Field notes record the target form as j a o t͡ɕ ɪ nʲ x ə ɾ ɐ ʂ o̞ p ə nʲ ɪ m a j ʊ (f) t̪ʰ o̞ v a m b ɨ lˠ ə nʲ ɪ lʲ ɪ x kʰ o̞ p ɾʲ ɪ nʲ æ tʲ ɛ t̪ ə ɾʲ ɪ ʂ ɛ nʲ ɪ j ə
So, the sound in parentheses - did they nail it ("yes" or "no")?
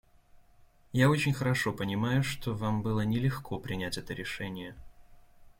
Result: no